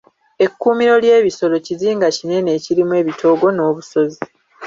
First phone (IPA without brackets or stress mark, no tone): e̞